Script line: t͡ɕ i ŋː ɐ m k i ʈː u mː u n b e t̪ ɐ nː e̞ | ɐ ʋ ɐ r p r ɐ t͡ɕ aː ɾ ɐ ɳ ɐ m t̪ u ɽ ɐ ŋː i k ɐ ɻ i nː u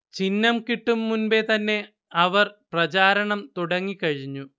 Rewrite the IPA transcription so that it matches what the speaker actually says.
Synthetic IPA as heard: t͡ɕ i nː ɐ m k i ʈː u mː u n b e t̪ ɐ nː e̞ | ɐ ʋ ɐ r p r ɐ t͡ɕ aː ɾ ɐ ɳ ɐ m t̪ u ɽ ɐ ŋː i k ɐ ɻ i ɲː u